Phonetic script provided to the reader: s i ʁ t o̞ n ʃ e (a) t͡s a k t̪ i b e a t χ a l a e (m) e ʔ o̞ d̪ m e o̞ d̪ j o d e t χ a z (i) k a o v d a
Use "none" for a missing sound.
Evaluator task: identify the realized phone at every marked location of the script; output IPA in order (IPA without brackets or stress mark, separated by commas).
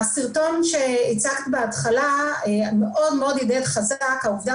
i, m, a